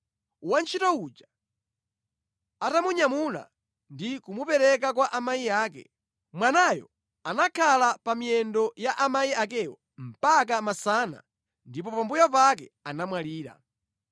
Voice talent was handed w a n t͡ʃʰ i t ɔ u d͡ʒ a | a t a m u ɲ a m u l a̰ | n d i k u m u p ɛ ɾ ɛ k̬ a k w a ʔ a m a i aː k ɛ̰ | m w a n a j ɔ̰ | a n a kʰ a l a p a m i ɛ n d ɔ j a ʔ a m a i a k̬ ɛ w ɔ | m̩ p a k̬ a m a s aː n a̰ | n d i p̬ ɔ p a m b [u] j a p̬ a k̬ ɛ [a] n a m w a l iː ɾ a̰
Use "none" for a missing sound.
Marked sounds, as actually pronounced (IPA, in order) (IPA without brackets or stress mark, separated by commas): u, a